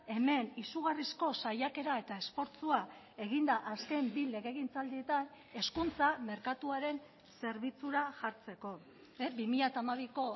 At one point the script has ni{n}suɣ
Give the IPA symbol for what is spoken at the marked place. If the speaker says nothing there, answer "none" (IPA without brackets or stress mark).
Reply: none